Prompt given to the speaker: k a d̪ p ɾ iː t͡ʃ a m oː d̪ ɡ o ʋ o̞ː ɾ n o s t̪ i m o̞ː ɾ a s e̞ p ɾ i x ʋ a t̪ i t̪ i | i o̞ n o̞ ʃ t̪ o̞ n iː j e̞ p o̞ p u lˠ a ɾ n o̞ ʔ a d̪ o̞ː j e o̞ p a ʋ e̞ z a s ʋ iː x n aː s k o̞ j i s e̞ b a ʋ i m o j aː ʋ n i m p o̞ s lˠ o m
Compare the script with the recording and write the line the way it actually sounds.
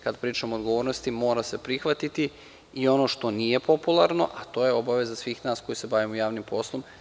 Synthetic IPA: k a d̪ p ɾ iː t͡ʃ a m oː d̪ ɡ o ʋ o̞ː ɾ n o s t̪ i m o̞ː ɾ a s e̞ p ɾ i x ʋ a t̪ i t̪ i | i o̞ n o̞ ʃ t̪ o̞ n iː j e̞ p o̞ p u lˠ a ɾ n o̞ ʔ a t̪ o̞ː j e o̞ b a ʋ e̞ z a s ʋ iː x n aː s k o̞ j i s e̞ b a ʋ i m o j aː ʋ n i m p o̞ s lˠ o m